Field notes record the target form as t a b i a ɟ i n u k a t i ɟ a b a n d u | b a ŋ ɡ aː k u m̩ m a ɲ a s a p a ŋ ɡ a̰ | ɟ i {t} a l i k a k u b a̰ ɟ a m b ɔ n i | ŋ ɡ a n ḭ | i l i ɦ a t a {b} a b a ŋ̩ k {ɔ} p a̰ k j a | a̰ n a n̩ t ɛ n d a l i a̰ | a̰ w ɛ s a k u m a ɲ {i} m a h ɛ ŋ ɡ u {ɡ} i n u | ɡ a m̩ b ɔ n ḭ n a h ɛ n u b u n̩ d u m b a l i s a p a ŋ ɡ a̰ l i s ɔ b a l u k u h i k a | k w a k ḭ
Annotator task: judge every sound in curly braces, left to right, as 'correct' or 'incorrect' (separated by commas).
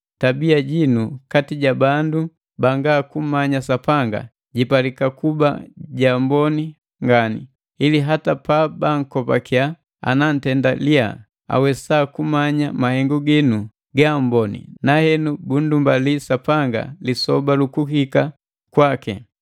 incorrect, incorrect, correct, incorrect, correct